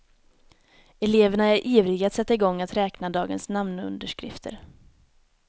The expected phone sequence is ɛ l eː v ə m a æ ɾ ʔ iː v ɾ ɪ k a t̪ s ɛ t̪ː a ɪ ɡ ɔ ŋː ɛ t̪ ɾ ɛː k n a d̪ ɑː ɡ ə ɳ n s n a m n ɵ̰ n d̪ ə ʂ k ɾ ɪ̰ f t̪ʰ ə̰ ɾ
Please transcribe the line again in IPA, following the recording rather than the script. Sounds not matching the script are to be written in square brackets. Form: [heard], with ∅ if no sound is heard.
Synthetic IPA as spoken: ɛ l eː v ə [ɳ] a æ ɾ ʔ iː v ɾ ɪ [ɡ] a t̪ s ɛ t̪ː a ɪ ɡ ɔ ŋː [a] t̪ ɾ ɛː k n a d̪ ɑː ɡ ə [∅] n s n a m n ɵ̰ n d̪ ə ʂ k ɾ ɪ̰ f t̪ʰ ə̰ ɾ